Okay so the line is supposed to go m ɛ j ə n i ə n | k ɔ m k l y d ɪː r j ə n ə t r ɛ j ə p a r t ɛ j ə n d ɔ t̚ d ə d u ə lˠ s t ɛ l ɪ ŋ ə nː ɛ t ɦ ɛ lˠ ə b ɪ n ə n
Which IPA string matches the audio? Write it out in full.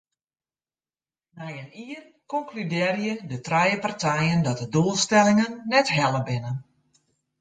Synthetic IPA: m ɛ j ə n i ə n | k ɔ ŋ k l y d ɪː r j ə d ə t r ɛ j ə p a r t ɛ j ə n d ɔ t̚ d ə d u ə lˠ s t ɛ l ɪ ŋ ə nː ɛ t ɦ ɛ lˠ ə b ɪ n ə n